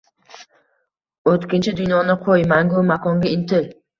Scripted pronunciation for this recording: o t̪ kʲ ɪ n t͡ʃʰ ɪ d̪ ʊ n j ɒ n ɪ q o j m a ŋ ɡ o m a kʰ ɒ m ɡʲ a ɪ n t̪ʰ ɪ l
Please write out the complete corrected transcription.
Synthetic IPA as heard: o t̪ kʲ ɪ n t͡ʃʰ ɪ d̪ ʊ n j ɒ n ɪ qʰ o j m a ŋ ɡ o m a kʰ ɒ ŋ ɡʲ a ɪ n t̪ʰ ɪ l

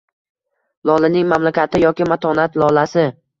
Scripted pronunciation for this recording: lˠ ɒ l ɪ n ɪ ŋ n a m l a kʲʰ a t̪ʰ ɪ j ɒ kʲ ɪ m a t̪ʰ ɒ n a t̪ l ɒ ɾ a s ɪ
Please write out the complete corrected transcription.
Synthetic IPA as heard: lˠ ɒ l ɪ n ɪ ŋ m a m l a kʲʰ a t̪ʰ ɪ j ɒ kʲ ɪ m a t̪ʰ ɒ n a t̪ l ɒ l a s ɪ

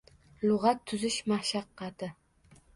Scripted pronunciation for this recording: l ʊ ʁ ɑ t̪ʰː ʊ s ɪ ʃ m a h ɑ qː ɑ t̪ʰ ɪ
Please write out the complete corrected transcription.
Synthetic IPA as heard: l ʊ ʁ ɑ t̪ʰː ʊ z ɪ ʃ m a ʃ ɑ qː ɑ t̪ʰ ɪ

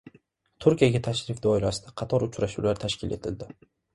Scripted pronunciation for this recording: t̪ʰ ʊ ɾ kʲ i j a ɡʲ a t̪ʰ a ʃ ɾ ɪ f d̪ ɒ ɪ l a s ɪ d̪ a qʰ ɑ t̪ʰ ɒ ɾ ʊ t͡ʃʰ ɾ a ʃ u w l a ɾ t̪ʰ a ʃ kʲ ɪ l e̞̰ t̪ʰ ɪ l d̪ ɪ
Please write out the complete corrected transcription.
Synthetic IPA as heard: t̪ʰ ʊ ɾ kʲ i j a ɡʲ a t̪ʰ a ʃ ɾ ɪ f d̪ ɒ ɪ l a s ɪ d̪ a qʰ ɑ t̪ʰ ɒ ɾ ʊ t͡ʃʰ ɾ a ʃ u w l a ɾ t̪ʰ a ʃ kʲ ɪ l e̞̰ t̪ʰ ɪ l d̪ ɪ

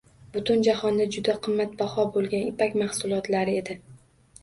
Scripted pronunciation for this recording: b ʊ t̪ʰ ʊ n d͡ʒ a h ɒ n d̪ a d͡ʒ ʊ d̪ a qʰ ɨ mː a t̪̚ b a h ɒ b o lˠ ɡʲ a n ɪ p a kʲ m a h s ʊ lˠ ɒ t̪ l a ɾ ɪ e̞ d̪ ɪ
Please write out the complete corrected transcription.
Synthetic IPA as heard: b ʊ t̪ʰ ʊ n d͡ʒ a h ɒ n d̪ a d͡ʒ ʊ d̪ a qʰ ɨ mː a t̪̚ b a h ɒ b o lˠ ɡʲ a n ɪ p a kʲ m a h s ʊ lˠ ɒ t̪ l a ɾ ɪ e̞ d̪ ɪ

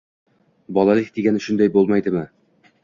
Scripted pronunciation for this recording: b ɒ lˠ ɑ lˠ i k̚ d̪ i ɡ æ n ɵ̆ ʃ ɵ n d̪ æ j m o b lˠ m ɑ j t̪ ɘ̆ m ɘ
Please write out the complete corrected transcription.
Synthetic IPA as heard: b ɒ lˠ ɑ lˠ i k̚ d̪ i ɡ æ n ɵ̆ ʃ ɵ n d̪ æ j b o lˠ m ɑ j d̪ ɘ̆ m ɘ

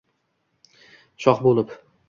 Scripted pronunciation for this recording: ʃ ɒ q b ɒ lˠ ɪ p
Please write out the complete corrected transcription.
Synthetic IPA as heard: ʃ ɒ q b o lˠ ɪ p

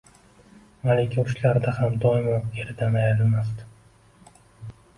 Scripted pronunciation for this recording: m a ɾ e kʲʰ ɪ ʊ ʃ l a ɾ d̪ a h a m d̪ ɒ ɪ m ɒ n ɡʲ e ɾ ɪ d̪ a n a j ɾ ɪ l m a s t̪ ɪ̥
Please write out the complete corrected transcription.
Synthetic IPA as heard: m a l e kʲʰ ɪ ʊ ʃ l a ɾ d̪ a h a m d̪ ɒ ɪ m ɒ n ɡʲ e ɾ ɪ d̪ a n a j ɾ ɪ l m a s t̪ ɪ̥

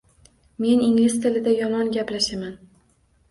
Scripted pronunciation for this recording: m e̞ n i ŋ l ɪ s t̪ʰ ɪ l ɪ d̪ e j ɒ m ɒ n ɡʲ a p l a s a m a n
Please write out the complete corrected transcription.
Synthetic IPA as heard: m e̞ n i ŋ l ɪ s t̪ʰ ɪ l ɪ d̪ a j ɒ m ɒ n ɡʲ a p l a ʃ a m a n

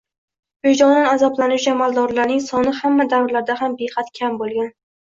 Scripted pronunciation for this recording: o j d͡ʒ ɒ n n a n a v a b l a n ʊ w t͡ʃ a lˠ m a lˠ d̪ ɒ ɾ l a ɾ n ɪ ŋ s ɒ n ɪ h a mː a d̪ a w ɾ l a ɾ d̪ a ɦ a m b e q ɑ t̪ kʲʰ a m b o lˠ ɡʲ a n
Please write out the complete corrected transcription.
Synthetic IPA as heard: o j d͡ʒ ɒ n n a n a z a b l a n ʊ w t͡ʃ a m a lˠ d̪ ɒ ɾ l a ɾ n ɪ ŋ s ɒ n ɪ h a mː a d̪ a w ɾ l a ɾ d̪ a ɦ a m b e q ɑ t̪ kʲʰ a m b o lˠ ɡʲ a n

